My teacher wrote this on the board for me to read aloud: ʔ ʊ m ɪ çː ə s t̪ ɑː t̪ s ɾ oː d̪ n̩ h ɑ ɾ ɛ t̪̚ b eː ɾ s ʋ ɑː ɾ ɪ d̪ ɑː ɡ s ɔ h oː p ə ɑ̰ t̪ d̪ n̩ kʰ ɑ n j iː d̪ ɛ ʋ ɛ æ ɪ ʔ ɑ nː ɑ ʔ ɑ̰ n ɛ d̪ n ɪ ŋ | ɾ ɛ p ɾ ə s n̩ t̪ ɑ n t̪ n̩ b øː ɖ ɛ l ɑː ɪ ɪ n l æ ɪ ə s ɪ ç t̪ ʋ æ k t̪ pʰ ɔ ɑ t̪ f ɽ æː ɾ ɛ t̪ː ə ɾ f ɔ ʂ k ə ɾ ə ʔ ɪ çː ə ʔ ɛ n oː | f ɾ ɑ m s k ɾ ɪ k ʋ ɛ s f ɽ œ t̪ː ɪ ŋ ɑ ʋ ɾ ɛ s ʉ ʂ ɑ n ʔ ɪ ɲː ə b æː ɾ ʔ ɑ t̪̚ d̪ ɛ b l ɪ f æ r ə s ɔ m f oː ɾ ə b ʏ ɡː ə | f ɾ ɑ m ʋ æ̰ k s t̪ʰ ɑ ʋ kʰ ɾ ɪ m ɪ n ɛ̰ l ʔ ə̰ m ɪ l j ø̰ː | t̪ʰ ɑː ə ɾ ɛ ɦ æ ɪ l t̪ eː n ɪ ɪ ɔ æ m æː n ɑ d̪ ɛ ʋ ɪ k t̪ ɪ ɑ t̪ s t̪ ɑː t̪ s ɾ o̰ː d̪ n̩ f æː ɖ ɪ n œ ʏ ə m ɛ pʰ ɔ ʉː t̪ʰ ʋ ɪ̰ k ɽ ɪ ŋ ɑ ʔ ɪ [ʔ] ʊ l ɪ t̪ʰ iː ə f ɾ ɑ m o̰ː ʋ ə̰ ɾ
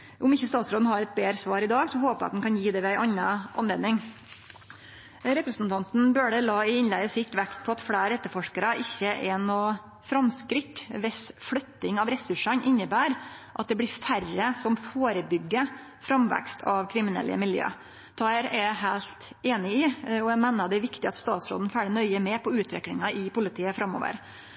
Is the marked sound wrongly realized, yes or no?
yes